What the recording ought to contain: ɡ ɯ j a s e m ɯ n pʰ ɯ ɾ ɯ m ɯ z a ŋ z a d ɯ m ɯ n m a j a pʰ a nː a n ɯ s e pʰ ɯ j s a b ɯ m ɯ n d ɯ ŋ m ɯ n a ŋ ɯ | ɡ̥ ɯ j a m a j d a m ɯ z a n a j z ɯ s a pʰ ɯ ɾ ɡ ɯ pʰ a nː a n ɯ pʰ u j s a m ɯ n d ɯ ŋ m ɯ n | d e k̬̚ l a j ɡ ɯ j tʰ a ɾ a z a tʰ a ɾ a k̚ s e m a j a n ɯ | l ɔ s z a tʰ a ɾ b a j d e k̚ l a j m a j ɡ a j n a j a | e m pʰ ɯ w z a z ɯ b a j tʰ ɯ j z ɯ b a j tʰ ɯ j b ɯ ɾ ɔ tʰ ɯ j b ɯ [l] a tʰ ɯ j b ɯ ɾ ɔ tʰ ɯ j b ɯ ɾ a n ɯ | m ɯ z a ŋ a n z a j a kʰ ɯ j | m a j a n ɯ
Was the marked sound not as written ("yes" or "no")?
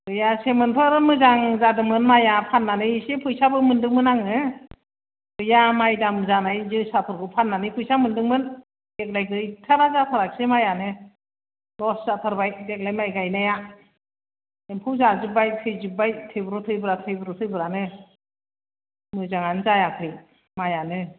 yes